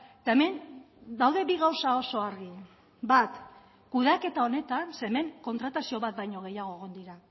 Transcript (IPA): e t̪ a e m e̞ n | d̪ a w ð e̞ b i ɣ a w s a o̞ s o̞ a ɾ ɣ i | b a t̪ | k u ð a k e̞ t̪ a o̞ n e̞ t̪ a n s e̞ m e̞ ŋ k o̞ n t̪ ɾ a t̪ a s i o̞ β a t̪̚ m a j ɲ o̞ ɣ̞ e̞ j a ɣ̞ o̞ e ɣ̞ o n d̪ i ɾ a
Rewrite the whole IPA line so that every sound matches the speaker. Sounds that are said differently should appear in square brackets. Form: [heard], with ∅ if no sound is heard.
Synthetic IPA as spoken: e t̪ a e m e̞ n | d̪ a w ð e̞ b i ɣ a w s a o̞ s o̞ a ɾ ɣ i | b a t̪ | k u ð a k e̞ t̪ a o̞ n e̞ t̪ a n s e̞ m e̞ ŋ k o̞ n t̪ ɾ a t̪ a s i o̞ β a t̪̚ [b] a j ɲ o̞ ɣ̞ e̞ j a ɣ̞ o̞ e ɣ̞ o n d̪ i ɾ a

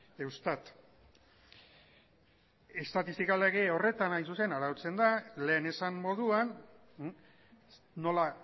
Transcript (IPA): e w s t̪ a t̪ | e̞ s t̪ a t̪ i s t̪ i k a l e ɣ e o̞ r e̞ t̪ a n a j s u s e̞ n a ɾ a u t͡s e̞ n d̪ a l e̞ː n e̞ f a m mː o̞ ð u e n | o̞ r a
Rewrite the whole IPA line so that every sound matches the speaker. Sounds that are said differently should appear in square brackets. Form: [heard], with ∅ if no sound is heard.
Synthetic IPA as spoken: e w s t̪ a t̪ | e̞ s t̪ a t̪ i s t̪ i k a l e ɣ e o̞ r e̞ t̪ a n a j s u s e̞ n a ɾ a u t͡s e̞ n d̪ a l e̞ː n e̞ [s] a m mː o̞ ð u [a] n | o̞ [l] a

